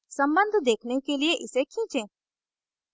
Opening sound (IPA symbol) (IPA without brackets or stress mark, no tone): s